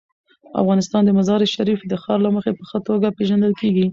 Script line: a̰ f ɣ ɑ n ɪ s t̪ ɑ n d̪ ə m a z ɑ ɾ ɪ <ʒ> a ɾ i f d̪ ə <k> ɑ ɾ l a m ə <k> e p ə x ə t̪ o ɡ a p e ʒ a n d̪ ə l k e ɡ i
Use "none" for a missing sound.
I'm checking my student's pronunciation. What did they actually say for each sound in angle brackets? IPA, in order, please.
ʃ, x, x

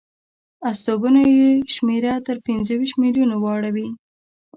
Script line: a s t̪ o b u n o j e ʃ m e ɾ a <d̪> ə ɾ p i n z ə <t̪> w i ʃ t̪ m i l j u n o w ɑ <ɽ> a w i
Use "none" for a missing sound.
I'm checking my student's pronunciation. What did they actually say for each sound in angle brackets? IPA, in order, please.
t̪, none, ɽ

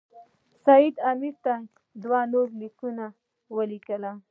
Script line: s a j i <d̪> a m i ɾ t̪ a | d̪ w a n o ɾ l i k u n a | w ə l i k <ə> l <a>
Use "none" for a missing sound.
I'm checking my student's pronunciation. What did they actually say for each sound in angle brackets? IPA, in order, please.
d̪, ə, a

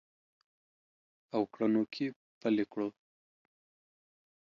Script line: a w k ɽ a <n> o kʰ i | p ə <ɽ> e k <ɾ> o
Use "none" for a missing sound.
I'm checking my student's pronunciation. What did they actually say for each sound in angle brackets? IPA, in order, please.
n, l, ɽ

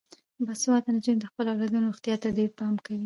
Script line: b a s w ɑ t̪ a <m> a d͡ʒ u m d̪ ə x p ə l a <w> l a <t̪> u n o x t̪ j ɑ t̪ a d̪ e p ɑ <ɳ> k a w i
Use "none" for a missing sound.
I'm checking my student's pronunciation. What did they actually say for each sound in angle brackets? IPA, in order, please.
n, w, d̪, m

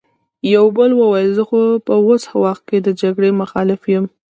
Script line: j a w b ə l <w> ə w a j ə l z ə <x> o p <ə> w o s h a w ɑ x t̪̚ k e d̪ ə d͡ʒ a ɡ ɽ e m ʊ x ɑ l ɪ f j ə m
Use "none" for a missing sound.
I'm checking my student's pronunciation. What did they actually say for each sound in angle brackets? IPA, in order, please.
w, x, ə

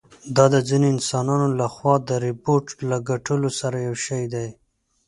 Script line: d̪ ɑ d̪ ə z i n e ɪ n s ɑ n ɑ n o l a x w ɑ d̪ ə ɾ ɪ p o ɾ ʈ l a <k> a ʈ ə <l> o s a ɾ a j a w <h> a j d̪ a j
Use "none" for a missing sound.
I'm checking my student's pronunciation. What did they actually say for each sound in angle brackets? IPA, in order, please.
ɡ, l, ʃ

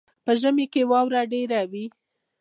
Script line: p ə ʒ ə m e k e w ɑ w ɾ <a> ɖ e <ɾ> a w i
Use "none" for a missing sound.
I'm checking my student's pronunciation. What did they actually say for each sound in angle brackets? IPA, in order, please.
a, ɾ

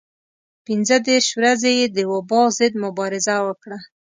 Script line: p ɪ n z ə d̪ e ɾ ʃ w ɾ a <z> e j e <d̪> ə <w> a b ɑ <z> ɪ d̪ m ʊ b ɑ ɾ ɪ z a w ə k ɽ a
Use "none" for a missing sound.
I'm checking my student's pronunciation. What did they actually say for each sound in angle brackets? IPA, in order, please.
z, d̪, w, z

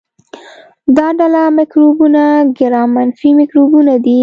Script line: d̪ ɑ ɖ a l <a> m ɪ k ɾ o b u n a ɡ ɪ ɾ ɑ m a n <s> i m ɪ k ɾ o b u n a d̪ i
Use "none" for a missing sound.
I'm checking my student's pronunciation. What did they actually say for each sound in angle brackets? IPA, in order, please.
a, f

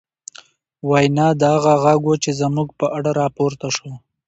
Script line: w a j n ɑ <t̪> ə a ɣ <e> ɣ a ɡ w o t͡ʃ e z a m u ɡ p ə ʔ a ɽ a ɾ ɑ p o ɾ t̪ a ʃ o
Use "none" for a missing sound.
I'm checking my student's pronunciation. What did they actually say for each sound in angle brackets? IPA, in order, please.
d̪, a

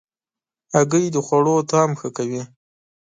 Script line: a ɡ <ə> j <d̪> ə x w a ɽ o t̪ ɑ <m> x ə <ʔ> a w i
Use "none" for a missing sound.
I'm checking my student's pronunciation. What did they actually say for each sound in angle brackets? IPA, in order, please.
ə, d̪, m, k

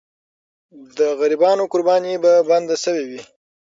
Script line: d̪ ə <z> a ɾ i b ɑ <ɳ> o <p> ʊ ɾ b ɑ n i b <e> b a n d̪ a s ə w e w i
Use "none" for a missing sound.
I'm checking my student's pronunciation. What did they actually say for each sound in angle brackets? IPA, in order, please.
ɣ, n, k, a

